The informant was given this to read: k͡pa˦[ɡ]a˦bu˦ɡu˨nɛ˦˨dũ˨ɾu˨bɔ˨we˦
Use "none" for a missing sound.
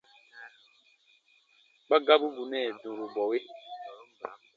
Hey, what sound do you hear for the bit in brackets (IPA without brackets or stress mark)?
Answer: ɡ